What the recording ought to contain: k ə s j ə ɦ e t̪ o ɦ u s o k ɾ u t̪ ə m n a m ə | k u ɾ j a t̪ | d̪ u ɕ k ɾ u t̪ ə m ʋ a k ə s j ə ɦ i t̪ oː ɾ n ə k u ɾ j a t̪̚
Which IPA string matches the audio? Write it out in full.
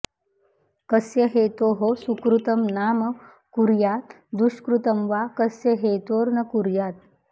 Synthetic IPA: k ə s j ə ɦ e t̪ o ɦ o s u k ɾ u t̪ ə m n a m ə | k u ɾ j a t̪ | d̪ u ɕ k ɾ u t̪ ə m ʋ a k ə s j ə ɦ e t̪ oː ɾ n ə k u ɾ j a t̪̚